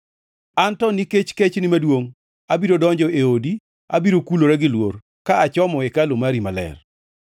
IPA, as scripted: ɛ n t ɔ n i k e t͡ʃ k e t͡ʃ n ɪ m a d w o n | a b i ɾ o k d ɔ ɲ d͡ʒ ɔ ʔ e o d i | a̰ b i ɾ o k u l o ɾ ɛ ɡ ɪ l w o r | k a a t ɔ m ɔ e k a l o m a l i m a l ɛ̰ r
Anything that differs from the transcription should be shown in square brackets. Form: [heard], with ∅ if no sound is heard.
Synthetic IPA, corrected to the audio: [a] n t ɔ n i k e t͡ʃ k e t͡ʃ n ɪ m a d w o [ŋ] | a b i ɾ o [∅] d ɔ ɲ d͡ʒ ɔ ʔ e o d i | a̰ b i ɾ o k u l o ɾ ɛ ɡ ɪ l w o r | k a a [t͡ʃ] ɔ m ɔ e k a l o m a [ɾ] i m a l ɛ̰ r